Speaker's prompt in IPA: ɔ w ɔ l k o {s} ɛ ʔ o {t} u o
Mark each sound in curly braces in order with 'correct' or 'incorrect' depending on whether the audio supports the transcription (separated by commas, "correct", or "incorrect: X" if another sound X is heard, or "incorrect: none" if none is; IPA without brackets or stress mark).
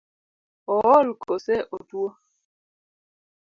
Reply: correct, correct